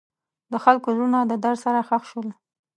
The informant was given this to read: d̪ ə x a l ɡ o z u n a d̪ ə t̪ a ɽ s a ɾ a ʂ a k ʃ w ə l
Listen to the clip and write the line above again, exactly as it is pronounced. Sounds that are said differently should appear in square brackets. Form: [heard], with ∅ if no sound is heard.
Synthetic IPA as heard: d̪ ə x a l [k] o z u n a d̪ ə [d̪] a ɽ s a ɾ a [x] a [x] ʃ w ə l